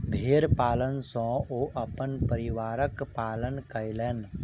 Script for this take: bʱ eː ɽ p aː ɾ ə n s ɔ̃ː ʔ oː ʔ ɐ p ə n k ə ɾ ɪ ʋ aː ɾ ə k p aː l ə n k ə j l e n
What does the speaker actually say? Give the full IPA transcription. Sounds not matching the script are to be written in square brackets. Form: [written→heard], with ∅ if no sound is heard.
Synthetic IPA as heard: bʱ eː [ɽ→ɾ] p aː [ɾ→l] ə n s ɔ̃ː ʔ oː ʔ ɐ p ə n [k→p] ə ɾ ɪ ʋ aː ɾ ə k p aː l ə n k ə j l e n